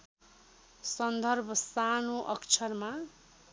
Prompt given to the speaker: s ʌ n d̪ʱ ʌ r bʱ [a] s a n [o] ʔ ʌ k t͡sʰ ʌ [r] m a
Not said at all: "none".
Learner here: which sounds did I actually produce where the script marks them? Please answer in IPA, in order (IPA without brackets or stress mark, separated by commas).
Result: ʌ, o, r